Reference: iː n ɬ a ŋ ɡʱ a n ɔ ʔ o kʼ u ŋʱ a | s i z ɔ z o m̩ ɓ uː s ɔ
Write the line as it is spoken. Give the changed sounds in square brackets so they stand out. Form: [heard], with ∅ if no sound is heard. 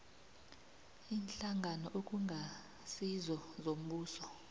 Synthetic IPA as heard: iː n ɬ a ŋ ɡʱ a n ɔ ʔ o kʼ u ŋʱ a | s i z ɔ z o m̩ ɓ uː s ɔ